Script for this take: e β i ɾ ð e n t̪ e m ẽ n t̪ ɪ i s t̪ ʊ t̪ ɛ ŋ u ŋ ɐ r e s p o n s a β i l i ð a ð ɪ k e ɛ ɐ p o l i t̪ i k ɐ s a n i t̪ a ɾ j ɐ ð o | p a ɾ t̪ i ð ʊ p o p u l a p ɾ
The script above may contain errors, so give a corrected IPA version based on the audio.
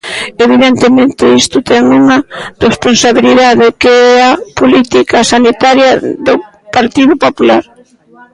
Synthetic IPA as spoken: e β i ð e n t̪ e m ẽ n t̪ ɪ i s t̪ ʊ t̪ ɛ ŋ u ŋ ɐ r e s p o n s a β i l i ð a ð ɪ k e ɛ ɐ p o l i t̪ i k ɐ s a n i t̪ a ɾ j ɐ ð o | p a ɾ t̪ i ð ʊ p o p u l a ɾ